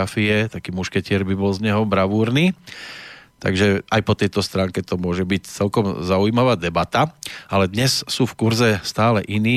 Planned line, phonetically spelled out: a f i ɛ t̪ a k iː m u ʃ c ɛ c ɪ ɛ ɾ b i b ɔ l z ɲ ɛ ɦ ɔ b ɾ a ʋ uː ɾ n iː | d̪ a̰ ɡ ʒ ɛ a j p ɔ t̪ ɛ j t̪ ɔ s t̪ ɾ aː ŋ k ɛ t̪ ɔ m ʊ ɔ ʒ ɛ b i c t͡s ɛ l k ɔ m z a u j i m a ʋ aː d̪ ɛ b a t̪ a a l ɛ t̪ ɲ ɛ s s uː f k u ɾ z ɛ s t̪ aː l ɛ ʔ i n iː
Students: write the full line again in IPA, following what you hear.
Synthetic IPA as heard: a f i ɛ t̪ a k iː m u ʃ k ɛ c ɪ ɛ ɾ b i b ɔ l z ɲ ɛ ɦ ɔ b ɾ a ʋ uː ɾ n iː | t̪ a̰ ɡ ʒ ɛ a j p ɔ t̪ ɛ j t̪ ɔ s t̪ ɾ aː ŋ k ɛ t̪ ɔ m ʊ ɔ ʒ ɛ b i c t͡s ɛ l k ɔ m z a u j i m a ʋ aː d̪ ɛ b a t̪ a a l ɛ d̪ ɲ ɛ s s uː f k u ɾ z ɛ s t̪ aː l ɛ ʔ i n iː